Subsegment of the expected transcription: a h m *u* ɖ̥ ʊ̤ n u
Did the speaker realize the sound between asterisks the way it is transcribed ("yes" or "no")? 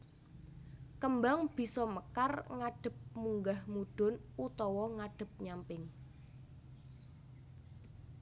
yes